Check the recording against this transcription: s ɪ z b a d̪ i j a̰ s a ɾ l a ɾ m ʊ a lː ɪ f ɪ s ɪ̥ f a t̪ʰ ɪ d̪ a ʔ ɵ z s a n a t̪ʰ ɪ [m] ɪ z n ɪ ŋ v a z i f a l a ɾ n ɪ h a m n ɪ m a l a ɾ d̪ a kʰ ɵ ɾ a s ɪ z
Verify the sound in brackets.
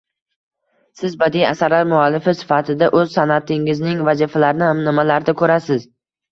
incorrect: ŋ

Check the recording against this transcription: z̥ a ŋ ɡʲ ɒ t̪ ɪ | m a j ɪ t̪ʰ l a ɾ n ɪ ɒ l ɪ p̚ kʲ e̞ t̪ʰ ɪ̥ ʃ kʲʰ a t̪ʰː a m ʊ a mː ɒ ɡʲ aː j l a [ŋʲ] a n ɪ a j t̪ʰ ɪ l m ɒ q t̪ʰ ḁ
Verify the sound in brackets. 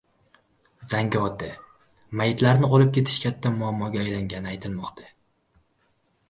correct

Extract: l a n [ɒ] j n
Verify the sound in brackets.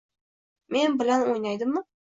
incorrect: o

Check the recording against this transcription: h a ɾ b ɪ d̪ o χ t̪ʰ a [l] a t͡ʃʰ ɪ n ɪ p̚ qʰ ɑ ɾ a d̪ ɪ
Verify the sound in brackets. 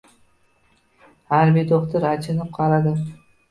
incorrect: ɾ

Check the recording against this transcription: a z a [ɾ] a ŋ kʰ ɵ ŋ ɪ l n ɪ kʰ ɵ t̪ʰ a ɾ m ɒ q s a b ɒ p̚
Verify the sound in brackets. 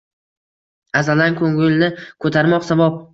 incorrect: l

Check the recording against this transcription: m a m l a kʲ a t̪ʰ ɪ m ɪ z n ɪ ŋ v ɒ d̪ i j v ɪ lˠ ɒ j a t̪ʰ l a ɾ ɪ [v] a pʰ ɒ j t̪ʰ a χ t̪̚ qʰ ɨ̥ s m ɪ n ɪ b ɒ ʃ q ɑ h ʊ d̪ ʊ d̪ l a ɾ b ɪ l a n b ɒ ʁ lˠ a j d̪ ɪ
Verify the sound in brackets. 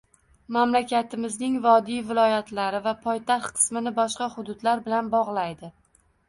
correct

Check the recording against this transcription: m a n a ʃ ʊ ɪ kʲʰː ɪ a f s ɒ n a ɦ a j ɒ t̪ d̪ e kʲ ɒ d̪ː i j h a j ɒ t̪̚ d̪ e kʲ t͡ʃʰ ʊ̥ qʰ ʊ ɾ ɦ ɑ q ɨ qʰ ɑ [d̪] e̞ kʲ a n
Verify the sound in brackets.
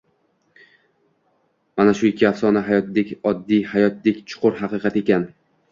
incorrect: t̪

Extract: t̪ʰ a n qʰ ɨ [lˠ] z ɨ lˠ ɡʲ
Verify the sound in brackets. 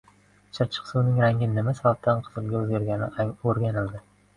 incorrect: none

